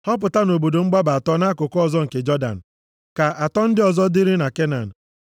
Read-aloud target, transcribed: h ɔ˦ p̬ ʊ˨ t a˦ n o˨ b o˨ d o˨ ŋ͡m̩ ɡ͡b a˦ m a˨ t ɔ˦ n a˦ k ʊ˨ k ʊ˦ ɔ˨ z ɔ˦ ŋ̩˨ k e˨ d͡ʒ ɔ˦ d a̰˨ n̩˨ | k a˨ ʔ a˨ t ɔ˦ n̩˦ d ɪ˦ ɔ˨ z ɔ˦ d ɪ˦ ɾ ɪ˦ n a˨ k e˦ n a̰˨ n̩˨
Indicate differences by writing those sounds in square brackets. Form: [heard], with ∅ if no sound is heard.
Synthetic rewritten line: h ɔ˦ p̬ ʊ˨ t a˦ n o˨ b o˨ d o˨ ŋ͡m̩ ɡ͡b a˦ [b] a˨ t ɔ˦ n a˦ k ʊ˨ k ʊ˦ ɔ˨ z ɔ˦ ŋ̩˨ k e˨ d͡ʒ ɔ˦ d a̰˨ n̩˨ | k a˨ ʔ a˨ t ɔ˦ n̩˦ d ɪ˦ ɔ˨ z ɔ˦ d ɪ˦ ɾ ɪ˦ n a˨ k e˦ n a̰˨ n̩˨